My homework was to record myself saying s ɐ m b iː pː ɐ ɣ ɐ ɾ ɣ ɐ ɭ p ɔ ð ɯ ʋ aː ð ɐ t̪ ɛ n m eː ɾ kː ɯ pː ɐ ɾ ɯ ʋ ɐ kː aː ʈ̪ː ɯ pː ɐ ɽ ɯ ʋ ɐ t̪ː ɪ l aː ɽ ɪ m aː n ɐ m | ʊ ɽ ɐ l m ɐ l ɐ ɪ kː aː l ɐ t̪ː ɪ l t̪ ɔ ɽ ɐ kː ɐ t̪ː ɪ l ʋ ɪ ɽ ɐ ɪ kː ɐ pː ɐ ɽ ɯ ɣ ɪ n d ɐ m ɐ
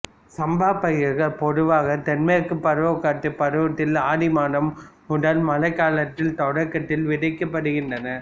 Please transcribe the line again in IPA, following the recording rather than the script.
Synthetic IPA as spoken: s ɐ m b aː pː ɐ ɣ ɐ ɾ ɣ ɐ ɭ p ɔ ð ɯ ʋ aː ɣ ɐ t̪ ɛ n m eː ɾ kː ɯ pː ɐ ɾ ɯ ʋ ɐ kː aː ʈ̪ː ɯ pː ɐ ɾ ɯ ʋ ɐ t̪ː ɪ l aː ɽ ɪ m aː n ɐ m | ʊ ɽ ɐ l m ɐ l ɐ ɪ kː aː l ɐ t̪ː ɪ l t̪ ɔ ɽ ɐ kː ɐ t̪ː ɪ l ʋ ɪ ɽ ɐ ɪ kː ɐ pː ɐ ɽ ɯ ɣ ɪ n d ɐ n ɐ